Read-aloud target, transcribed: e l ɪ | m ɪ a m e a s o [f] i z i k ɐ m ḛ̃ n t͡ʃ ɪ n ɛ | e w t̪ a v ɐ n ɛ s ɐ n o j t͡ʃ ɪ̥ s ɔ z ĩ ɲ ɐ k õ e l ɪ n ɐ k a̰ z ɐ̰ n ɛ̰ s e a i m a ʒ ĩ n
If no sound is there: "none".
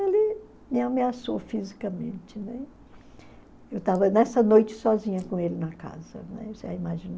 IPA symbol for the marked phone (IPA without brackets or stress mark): f